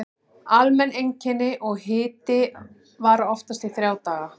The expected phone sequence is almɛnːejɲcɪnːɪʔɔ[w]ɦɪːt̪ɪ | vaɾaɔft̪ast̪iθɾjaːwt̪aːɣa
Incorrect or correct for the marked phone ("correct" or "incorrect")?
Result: incorrect